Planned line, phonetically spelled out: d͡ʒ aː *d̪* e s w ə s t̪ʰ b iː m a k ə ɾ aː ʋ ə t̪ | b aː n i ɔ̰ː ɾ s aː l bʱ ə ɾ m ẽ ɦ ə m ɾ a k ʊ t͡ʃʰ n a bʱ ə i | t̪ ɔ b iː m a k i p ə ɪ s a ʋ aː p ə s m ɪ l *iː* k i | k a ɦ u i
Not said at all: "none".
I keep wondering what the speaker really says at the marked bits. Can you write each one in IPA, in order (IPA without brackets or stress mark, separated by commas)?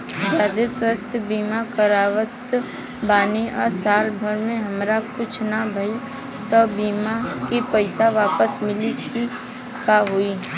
d̪, i